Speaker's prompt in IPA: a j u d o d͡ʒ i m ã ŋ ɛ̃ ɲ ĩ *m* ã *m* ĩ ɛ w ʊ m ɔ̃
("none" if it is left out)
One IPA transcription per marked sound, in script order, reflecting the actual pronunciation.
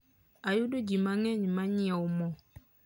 m, ɲ

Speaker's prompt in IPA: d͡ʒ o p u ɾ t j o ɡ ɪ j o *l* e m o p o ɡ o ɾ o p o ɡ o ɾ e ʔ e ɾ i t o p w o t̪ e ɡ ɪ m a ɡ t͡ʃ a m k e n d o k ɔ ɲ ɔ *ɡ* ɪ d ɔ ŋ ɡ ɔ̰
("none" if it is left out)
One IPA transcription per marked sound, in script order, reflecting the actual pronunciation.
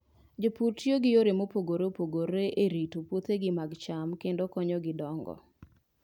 ɾ, ɡ

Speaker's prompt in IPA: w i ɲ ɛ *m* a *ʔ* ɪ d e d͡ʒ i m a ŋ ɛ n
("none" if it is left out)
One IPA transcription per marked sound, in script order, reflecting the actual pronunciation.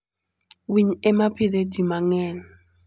m, p

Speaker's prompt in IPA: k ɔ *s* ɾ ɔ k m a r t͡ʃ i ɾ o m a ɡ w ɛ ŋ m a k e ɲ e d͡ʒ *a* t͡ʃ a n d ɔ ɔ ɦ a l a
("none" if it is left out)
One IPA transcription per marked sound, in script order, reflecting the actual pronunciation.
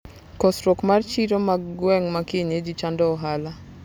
s, i

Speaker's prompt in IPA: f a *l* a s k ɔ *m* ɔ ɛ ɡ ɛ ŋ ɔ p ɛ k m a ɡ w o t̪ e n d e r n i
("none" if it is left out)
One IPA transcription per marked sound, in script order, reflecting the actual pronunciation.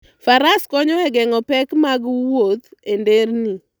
ɾ, ɲ

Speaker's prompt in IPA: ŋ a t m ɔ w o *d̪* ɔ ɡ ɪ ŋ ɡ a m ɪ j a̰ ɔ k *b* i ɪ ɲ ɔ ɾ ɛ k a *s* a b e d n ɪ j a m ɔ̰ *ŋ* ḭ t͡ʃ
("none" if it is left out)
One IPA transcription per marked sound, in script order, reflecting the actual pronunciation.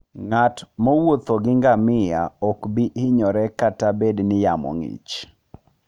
t̪, b, t, ŋ

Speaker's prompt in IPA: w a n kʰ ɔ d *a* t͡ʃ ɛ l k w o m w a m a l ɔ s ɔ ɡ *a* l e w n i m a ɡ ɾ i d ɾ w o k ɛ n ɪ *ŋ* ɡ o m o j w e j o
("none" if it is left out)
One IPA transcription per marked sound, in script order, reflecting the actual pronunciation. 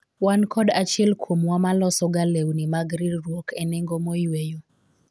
a, a, ŋ

